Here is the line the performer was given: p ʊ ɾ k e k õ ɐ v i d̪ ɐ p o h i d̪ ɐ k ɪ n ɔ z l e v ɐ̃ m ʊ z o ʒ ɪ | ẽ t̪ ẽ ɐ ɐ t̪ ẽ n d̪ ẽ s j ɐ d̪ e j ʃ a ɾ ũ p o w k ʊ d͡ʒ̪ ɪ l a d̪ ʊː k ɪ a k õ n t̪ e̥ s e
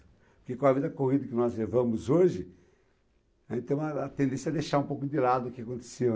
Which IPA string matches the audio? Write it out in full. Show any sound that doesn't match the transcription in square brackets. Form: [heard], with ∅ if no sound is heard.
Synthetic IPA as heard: p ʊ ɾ k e k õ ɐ v i d̪ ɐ [k] o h i d̪ ɐ k ɪ n ɔ z l e v ɐ̃ m ʊ z o ʒ ɪ | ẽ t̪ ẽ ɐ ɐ t̪ ẽ n d̪ ẽ s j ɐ d̪ e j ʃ a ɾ ũ p o w k ʊ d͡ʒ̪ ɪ l a d̪ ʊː k ɪ a k õ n t̪ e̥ s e